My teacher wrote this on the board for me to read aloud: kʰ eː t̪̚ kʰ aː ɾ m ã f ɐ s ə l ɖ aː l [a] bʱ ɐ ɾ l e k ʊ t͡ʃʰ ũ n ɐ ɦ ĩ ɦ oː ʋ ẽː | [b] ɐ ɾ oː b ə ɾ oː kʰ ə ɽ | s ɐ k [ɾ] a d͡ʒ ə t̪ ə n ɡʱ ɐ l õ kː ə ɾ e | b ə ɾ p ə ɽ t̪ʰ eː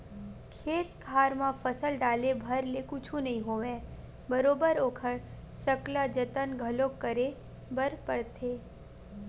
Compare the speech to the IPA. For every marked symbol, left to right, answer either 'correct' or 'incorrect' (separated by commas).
incorrect, correct, incorrect